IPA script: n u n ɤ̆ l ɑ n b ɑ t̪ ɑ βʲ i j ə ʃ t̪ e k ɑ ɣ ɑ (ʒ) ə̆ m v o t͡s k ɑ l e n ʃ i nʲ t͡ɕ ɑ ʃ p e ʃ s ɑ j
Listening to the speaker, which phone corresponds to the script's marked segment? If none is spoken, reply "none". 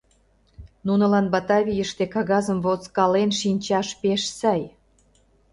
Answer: z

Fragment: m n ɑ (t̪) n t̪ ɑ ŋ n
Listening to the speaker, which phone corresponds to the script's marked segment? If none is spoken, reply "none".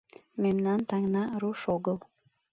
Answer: none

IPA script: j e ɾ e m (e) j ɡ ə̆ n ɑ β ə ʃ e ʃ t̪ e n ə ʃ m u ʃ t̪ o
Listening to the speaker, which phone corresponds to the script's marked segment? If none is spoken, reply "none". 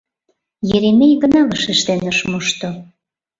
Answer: e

